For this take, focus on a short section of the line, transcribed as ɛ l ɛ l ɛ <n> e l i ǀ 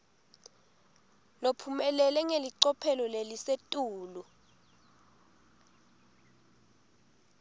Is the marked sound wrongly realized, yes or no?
yes